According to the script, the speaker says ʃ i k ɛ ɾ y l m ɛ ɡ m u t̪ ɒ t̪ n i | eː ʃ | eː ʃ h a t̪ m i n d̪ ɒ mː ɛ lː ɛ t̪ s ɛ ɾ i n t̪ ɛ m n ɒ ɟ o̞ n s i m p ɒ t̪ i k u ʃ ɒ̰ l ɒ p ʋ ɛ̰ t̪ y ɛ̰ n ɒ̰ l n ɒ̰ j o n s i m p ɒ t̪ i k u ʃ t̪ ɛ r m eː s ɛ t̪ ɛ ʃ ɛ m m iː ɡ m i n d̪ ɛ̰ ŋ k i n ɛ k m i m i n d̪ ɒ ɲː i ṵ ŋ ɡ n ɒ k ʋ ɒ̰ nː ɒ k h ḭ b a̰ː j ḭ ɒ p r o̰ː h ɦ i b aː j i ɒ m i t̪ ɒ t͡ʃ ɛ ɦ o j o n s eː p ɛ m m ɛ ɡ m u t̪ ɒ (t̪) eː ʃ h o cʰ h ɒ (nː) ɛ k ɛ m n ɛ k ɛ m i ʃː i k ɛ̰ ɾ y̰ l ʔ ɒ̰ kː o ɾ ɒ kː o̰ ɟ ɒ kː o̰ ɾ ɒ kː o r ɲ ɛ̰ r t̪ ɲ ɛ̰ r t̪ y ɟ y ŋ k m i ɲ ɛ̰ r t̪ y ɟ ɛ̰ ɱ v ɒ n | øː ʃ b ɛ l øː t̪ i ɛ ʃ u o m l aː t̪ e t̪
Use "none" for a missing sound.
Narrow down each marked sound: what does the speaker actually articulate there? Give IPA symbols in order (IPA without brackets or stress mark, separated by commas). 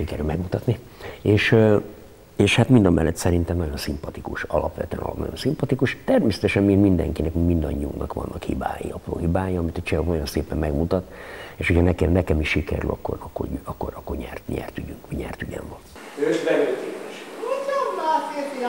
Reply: t̪, n